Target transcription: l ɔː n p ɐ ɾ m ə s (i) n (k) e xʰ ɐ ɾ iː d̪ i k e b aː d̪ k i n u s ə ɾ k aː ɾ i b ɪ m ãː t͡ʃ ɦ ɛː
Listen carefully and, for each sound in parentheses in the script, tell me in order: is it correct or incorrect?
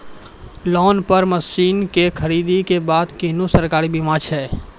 incorrect: iː, correct

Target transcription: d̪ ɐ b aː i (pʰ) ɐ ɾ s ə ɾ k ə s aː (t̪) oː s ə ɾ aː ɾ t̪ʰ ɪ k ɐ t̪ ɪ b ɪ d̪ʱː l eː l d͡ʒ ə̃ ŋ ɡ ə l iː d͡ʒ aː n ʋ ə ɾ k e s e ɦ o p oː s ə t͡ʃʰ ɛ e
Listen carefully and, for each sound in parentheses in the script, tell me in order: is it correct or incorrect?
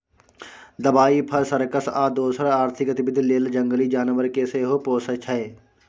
correct, incorrect: d̪

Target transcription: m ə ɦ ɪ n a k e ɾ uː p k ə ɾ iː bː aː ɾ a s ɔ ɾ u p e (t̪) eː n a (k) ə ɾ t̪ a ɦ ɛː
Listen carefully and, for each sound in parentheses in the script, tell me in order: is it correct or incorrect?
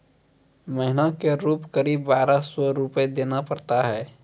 incorrect: d̪, incorrect: p

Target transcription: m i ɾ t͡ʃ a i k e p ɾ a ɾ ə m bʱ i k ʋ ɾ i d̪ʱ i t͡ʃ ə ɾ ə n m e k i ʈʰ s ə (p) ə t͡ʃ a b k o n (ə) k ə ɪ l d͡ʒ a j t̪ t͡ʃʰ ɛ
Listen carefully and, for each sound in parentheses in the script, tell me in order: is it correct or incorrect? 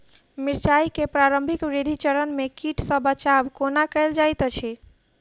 incorrect: b, incorrect: a

